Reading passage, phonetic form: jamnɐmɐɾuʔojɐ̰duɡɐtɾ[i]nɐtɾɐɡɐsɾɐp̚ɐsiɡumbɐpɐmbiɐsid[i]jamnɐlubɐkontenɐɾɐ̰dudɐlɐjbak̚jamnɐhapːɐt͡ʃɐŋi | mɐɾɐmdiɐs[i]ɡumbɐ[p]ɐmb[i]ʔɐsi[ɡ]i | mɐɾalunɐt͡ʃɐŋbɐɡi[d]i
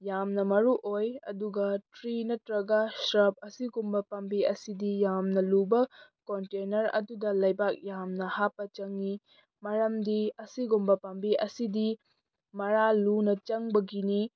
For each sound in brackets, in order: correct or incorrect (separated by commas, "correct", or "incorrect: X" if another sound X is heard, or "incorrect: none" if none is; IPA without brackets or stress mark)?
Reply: correct, correct, correct, correct, correct, incorrect: d, incorrect: n